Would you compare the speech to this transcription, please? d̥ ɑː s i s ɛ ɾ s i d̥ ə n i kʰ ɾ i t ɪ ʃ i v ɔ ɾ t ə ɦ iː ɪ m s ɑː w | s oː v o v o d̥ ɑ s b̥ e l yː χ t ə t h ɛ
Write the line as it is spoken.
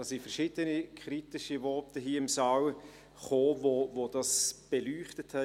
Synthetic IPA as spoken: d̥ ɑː s i f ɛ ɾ ʃ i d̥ ə n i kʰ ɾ i t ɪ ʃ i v ɔ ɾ t ə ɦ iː ɪ m s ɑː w | χ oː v o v o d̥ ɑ s b̥ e l yː χ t ə t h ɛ